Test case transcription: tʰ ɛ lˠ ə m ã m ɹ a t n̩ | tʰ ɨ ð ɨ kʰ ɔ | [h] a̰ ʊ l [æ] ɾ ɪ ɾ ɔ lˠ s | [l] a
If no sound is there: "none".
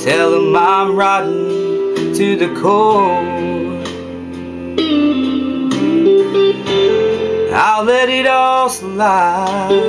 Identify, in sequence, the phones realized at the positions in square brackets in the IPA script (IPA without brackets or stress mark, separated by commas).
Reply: h, ɛ, l